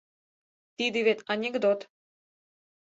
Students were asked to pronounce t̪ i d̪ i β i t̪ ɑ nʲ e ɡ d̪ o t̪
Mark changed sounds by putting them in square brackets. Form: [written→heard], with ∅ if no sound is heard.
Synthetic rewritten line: t̪ i d̪ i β [i→e] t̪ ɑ nʲ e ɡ d̪ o t̪